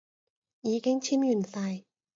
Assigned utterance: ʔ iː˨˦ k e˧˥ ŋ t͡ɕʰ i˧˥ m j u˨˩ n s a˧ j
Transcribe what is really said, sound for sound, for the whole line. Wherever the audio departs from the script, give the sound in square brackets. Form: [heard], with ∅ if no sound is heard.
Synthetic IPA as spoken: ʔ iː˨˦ k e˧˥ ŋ t͡ɕʰ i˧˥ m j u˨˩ n s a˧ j